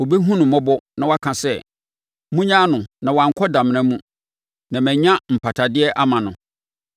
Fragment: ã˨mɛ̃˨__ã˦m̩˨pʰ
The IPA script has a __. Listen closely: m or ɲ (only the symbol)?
ɲ